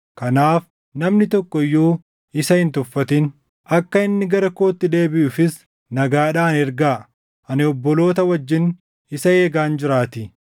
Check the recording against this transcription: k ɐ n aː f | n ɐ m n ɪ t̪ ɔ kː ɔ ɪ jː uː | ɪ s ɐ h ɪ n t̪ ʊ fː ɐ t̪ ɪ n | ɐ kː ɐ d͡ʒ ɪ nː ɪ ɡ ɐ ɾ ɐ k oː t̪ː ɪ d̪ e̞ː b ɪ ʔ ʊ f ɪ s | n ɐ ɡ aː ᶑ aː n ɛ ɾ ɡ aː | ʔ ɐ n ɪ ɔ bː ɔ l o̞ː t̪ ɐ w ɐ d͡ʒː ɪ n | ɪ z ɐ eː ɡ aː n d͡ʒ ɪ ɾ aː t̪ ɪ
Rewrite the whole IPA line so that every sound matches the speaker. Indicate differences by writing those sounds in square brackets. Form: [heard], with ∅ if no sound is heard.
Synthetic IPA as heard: k ɐ n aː f | n ɐ m n ɪ t̪ ɔ kː ɔ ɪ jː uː | ɪ s ɐ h ɪ n t̪ ʊ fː ɐ t̪ ɪ n | ɐ kː ɐ [∅] ɪ nː ɪ ɡ ɐ ɾ ɐ k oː t̪ː ɪ d̪ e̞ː b ɪ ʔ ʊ f ɪ s | n ɐ ɡ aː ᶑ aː n ɛ ɾ ɡ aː | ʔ ɐ n ɪ ɔ bː ɔ l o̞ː t̪ ɐ w ɐ d͡ʒː ɪ n | ɪ [s] ɐ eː ɡ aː n d͡ʒ ɪ ɾ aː t̪ ɪ